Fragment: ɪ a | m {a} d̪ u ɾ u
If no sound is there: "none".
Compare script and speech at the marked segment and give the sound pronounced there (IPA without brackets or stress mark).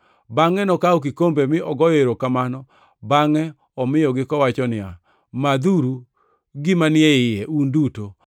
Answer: a